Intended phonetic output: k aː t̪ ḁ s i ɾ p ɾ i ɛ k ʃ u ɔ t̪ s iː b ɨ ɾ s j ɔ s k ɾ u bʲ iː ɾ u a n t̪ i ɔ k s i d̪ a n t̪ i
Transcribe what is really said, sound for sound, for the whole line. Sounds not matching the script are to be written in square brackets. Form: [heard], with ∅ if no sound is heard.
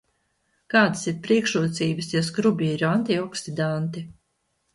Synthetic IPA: k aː [d̪] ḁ s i ɾ p ɾ i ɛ k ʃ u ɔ t̪ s iː b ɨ [∅] s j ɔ s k ɾ u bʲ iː ɾ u a n t̪ i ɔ k s i d̪ a n t̪ i